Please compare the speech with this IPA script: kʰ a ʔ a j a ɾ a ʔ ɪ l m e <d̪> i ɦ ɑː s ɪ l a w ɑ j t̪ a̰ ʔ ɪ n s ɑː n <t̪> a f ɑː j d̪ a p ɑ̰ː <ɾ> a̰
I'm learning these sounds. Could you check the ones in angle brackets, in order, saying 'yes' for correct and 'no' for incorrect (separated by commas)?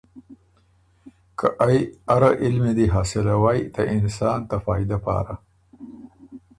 yes, yes, yes